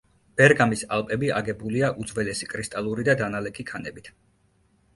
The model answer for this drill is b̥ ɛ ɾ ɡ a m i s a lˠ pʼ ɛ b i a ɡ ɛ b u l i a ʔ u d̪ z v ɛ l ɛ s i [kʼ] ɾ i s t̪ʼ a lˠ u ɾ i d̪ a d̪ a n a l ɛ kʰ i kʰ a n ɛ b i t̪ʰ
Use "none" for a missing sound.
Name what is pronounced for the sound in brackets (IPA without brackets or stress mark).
kʼ